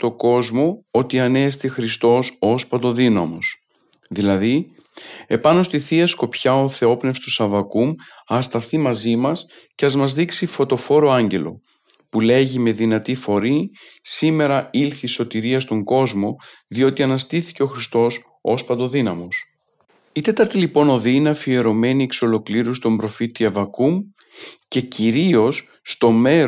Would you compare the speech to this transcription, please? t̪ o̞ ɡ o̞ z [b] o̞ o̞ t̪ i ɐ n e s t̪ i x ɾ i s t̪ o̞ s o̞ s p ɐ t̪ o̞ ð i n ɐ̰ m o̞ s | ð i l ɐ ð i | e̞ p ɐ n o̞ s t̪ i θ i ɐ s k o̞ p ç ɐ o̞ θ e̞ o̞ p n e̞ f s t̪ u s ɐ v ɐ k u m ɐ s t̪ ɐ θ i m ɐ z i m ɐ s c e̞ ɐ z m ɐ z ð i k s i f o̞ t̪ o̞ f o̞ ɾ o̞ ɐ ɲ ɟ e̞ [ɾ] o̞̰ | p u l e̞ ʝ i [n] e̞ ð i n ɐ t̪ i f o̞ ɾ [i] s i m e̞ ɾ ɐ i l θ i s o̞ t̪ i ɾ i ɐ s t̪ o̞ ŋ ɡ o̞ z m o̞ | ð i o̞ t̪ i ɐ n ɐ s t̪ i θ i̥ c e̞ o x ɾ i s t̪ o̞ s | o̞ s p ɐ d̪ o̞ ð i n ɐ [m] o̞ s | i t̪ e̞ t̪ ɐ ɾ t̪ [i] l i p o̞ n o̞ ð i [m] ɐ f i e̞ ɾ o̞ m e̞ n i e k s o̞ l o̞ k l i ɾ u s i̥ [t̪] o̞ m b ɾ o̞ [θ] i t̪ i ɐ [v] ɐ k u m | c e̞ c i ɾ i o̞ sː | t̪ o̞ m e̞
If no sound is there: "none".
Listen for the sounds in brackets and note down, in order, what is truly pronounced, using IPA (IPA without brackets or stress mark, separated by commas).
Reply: m, l, m, i, m, i, n, t̪, f, v